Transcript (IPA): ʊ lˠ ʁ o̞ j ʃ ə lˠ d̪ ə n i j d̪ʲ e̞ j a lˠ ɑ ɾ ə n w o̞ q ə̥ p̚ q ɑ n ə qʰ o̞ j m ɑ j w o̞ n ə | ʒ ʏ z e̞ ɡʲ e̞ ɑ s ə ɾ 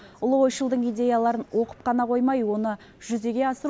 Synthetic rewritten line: ʊ lˠ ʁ o̞ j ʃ ə lˠ d̪ ə ɴ i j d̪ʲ e̞ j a lˠ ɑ ɾ ə n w o̞ q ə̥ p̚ q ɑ n ɑ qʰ o̞ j m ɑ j w o̞ n ə | ʒ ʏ z e̞ ɡʲ e̞ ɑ s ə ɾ